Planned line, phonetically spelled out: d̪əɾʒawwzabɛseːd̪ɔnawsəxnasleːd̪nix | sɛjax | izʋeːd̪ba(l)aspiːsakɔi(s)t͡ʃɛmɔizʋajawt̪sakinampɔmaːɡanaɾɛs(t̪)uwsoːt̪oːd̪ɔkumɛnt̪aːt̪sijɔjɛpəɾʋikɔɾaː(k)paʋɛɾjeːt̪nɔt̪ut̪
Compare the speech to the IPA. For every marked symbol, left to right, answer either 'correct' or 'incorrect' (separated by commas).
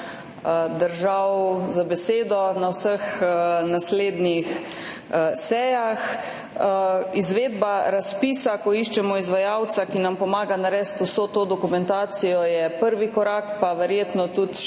incorrect, incorrect, correct, correct